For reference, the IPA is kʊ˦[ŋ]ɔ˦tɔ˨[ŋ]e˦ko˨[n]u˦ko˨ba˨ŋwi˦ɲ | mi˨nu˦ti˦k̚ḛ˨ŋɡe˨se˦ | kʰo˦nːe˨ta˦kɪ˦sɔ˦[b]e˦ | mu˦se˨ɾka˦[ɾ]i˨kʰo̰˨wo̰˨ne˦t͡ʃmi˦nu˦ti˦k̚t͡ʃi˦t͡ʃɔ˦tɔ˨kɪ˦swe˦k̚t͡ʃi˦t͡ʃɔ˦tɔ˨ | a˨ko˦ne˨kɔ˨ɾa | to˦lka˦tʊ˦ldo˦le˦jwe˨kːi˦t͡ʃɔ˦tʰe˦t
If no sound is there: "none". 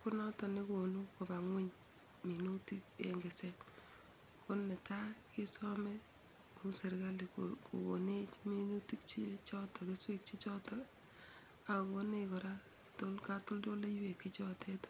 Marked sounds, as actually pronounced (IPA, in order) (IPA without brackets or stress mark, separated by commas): n, n, n, m, l